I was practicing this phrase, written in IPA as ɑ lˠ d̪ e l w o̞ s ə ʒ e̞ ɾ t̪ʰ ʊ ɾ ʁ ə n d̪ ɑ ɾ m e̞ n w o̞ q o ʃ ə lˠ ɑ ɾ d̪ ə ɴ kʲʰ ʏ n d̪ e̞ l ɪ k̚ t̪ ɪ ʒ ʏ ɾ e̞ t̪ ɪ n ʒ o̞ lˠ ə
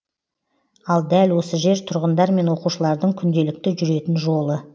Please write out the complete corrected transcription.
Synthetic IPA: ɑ lˠ d̪ æ l w o̞ s ə ʒ e̞ ɾ t̪ʰ ʊ ɾ ʁ ə n d̪ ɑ ɾ m e̞ n w o̞ q u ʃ ə lˠ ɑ ɾ d̪ ə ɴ kʲʰ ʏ n d̪ e̞ l ɪ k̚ t̪ ɪ ʒ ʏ ɾ e̞ t̪ ɪ n ʒ o̞ lˠ ə